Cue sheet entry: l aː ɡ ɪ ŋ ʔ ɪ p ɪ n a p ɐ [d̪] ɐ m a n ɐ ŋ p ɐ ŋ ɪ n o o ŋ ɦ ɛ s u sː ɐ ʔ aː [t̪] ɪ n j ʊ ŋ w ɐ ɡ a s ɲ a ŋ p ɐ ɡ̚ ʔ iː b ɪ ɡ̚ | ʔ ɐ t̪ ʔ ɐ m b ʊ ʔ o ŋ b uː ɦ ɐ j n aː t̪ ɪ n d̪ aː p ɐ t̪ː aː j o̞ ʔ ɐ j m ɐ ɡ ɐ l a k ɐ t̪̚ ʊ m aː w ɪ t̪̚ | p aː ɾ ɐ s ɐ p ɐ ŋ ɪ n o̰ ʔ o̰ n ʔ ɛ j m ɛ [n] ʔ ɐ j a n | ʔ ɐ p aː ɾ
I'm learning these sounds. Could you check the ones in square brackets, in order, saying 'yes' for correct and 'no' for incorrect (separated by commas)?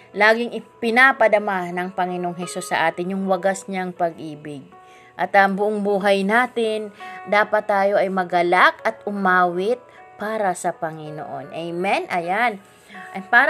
yes, yes, yes